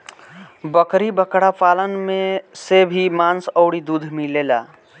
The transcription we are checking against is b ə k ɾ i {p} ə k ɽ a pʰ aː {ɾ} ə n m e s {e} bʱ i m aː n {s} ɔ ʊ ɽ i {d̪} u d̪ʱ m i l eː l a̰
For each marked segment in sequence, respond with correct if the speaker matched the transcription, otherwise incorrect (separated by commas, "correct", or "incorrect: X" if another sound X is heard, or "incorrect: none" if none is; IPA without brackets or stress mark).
incorrect: b, incorrect: l, correct, correct, correct